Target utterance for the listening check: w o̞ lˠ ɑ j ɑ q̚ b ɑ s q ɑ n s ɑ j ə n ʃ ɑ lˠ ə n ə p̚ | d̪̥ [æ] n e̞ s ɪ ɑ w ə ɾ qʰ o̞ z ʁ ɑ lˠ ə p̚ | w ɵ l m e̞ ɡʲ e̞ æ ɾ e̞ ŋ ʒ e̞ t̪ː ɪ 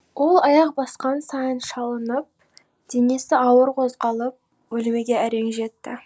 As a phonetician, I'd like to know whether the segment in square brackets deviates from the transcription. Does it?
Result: yes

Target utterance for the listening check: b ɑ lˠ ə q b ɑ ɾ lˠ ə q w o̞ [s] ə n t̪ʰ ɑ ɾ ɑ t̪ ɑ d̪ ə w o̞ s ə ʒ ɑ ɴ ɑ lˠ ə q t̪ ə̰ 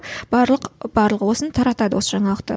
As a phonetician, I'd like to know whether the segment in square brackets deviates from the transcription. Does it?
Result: no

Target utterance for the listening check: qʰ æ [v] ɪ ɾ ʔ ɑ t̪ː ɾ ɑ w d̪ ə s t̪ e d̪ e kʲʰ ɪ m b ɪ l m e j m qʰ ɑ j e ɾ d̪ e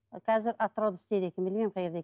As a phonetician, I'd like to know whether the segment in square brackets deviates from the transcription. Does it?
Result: yes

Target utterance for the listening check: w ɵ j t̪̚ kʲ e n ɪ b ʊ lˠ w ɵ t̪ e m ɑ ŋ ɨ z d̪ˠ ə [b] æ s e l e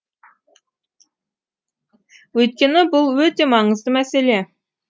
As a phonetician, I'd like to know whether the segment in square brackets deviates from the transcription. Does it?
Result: yes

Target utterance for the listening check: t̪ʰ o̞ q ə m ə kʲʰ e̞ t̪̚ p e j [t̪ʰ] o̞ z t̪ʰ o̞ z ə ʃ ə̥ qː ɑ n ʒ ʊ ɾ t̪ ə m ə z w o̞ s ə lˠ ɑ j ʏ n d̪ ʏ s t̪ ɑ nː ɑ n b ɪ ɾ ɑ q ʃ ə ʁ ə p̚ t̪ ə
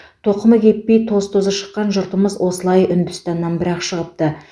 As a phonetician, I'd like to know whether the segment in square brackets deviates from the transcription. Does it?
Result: no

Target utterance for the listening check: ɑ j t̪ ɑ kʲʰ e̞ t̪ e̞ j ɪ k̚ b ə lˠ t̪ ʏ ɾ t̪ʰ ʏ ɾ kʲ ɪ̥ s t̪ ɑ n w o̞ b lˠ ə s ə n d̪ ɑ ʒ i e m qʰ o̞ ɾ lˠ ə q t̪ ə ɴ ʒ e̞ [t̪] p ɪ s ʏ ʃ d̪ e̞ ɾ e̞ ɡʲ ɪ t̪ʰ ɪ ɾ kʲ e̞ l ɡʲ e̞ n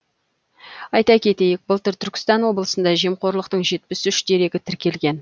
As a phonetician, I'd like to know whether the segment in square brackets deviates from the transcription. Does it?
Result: no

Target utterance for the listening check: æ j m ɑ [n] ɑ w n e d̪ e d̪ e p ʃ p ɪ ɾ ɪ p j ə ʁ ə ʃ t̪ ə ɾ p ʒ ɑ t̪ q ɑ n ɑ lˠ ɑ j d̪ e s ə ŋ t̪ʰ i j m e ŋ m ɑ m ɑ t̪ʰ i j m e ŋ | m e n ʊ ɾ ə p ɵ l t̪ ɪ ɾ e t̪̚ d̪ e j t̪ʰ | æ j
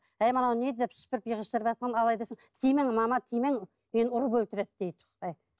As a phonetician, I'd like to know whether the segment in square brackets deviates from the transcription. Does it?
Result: no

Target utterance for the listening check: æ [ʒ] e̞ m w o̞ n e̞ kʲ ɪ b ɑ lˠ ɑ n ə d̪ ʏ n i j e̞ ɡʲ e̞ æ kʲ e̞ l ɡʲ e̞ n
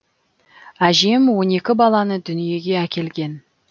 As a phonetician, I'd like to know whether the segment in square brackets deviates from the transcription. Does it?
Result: no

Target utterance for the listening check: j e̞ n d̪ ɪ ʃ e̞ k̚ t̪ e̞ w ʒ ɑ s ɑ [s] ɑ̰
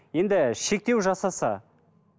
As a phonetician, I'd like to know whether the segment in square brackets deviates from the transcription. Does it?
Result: no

